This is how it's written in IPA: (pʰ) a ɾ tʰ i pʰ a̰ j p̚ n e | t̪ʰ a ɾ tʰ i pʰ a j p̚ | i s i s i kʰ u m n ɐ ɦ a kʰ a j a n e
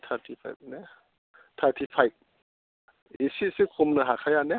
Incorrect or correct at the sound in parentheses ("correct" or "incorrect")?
incorrect